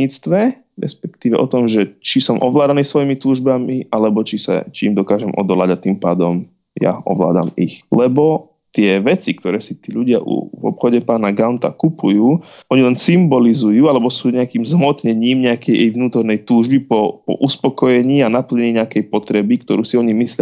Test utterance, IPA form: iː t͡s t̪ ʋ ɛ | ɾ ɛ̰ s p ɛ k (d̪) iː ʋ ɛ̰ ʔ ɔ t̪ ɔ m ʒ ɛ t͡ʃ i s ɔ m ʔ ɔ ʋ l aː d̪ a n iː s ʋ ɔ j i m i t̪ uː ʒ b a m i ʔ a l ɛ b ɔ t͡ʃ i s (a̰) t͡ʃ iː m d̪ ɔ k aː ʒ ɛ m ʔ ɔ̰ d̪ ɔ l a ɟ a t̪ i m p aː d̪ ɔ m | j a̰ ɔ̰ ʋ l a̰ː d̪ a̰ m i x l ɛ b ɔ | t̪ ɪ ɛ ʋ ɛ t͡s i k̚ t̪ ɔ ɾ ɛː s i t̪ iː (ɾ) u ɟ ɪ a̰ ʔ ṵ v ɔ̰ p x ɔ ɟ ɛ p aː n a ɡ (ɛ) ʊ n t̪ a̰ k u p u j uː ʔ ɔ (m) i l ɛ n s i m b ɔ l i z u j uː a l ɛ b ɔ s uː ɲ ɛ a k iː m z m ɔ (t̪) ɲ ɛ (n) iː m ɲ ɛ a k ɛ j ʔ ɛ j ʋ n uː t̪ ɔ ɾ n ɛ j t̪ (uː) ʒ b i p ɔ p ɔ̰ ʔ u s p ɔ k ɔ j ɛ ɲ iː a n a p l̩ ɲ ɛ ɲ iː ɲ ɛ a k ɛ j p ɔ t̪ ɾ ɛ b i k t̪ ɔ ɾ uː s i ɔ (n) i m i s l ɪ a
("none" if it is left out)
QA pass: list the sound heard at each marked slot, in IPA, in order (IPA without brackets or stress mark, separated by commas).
t̪, a̰, ʎ, a, ɲ, t̪, ɲ, uː, ɲ